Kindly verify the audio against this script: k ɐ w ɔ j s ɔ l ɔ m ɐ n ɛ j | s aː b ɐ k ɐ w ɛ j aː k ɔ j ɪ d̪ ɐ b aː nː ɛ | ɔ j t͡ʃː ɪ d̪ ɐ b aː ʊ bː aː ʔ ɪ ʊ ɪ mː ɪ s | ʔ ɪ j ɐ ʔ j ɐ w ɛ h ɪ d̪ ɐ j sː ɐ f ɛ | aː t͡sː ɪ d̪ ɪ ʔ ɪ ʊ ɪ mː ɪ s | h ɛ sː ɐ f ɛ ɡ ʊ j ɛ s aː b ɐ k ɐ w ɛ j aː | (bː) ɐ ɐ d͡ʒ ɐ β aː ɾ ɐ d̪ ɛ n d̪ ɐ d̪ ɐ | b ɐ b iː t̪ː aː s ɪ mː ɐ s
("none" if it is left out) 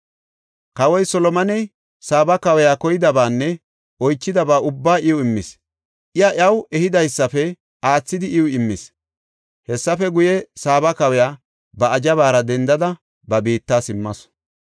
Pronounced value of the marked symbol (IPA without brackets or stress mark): b